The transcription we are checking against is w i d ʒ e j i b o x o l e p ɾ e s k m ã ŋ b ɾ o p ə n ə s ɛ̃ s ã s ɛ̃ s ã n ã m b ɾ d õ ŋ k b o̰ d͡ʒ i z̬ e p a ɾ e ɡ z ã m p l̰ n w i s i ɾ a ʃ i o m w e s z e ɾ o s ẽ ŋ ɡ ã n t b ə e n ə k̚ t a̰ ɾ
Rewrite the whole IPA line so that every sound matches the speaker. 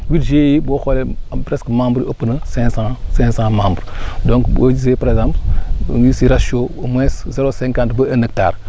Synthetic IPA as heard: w i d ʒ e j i b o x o l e p ɾ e s k m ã m b ɾ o p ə n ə s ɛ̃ s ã s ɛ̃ s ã m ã m b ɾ d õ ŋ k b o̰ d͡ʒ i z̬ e p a ɾ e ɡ z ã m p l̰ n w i s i ɾ a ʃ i o m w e s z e ɾ o s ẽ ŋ k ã n t b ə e n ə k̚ t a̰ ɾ